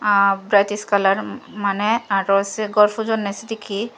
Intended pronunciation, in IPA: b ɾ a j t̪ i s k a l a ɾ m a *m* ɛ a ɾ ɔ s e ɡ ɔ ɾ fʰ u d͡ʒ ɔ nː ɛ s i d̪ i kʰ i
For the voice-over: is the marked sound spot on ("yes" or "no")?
no